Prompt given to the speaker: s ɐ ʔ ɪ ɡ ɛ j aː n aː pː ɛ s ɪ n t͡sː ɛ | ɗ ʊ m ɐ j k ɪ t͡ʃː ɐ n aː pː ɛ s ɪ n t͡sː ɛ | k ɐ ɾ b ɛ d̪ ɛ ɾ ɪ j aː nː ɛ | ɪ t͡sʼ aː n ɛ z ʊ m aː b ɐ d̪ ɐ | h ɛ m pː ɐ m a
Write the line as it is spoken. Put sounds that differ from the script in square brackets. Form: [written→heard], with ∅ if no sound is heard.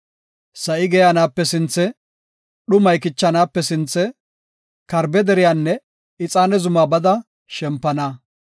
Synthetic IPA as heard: s ɐ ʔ ɪ ɡ ɛ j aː n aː pː ɛ s ɪ n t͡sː ɛ | ɗ ʊ m ɐ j k ɪ t͡ʃː ɐ n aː pː ɛ s ɪ n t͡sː ɛ | k ɐ ɾ b ɛ d̪ ɛ ɾ ɪ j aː nː ɛ | ɪ t͡sʼ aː n ɛ z ʊ m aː b ɐ d̪ ɐ | [h→ʃ] ɛ m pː ɐ [m→n] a